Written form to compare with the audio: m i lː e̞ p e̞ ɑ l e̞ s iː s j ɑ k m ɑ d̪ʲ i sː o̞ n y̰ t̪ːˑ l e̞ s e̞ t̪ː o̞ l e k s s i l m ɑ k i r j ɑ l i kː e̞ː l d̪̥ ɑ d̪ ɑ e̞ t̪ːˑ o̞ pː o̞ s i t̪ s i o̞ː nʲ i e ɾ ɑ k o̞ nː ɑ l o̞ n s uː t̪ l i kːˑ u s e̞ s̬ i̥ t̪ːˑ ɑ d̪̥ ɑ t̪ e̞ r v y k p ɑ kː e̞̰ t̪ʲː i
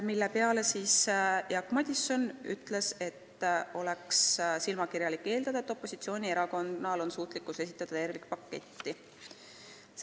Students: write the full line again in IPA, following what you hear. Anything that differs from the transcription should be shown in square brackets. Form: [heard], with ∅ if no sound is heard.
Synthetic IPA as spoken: m i lː e̞ p e̞ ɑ l e̞ s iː s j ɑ k m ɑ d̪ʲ i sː o̞ n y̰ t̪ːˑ l e̞ s e̞ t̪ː o̞ l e k s s i l m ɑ k i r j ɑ l i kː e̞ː l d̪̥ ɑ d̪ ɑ e̞ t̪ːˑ o̞ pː o̞ s i t̪ s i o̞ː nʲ i e ɾ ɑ k o̞ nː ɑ l o̞ n s uː t̪ l i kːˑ u s e̞ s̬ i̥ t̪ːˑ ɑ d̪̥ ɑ t̪ e̞ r v [i] k p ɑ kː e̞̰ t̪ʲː i